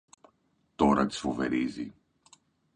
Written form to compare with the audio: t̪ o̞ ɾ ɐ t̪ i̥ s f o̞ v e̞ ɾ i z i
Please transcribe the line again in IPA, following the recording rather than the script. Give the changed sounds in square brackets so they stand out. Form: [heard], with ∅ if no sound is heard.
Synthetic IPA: t̪ o̞ ɾ ɐ t̪ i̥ s f o̞ v e̞ ɾ i z i